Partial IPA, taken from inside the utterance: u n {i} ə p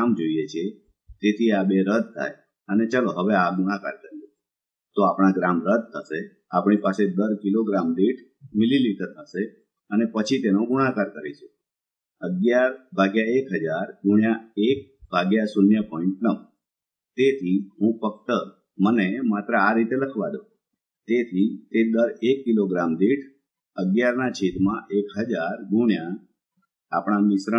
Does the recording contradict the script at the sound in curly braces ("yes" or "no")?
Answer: yes